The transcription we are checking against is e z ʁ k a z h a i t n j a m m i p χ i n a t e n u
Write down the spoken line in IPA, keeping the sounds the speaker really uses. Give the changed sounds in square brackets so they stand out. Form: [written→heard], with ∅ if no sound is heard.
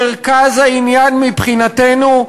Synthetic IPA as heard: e [z→∅] ʁ k a z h a i [t→∅] n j a [m→n] m i p χ i n a t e n u